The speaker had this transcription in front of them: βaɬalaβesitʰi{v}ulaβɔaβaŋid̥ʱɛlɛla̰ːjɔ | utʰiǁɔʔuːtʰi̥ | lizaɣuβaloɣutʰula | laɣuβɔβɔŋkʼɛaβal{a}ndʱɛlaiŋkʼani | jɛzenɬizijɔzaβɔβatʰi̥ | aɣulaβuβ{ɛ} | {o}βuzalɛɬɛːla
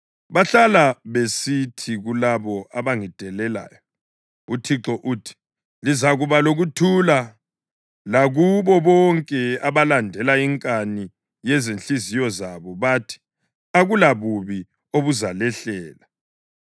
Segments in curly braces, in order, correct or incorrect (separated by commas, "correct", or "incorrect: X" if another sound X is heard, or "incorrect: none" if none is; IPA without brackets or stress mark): incorrect: ɣ, correct, incorrect: i, correct